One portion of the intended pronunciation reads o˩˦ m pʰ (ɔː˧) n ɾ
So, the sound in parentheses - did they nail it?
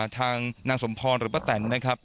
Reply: yes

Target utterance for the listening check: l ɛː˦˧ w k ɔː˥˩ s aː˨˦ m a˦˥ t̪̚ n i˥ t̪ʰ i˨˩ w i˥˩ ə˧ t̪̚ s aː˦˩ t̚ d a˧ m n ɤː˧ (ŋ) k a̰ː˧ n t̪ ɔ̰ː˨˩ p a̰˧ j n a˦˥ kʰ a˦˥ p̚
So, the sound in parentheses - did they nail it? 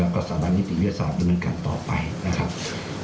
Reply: no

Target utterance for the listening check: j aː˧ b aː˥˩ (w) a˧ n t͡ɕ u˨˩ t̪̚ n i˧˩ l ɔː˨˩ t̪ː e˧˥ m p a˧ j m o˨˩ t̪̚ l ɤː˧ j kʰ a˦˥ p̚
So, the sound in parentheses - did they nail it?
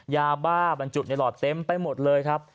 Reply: no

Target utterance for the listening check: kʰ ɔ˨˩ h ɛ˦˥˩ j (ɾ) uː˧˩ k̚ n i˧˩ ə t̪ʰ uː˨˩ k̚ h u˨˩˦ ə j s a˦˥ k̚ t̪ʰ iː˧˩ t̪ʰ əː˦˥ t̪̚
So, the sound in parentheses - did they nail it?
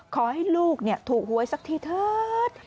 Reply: no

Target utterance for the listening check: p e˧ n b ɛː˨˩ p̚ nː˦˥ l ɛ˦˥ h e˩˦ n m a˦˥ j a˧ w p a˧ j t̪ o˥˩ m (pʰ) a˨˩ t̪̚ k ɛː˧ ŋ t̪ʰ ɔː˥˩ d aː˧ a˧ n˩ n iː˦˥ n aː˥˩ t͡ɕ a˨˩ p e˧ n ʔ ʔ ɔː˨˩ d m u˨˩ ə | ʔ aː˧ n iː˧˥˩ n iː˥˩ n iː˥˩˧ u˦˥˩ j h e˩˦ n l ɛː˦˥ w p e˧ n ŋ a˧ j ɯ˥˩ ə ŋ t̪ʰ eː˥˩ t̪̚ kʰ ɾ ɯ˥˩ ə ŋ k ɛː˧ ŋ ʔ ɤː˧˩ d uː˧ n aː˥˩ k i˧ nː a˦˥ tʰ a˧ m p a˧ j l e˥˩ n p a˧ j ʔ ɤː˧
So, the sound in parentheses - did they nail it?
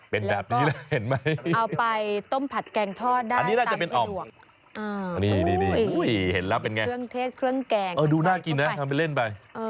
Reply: yes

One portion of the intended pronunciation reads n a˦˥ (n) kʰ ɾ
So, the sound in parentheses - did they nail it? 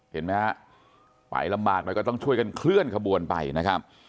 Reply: no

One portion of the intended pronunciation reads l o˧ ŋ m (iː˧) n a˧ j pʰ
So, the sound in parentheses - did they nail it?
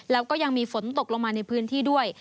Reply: no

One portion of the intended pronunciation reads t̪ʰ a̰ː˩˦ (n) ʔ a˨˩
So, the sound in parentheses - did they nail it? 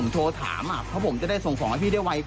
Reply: no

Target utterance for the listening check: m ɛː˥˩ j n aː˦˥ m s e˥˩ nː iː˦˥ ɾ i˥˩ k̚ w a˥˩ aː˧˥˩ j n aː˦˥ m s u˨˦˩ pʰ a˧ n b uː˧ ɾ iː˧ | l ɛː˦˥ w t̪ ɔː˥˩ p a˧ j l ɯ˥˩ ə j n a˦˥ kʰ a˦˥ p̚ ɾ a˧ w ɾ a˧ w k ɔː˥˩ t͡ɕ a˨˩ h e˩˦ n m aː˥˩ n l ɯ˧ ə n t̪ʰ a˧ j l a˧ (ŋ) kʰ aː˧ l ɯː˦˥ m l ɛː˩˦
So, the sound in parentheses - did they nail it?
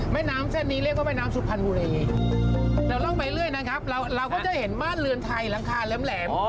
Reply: yes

